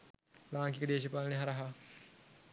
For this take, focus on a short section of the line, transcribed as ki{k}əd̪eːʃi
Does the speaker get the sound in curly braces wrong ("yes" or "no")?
no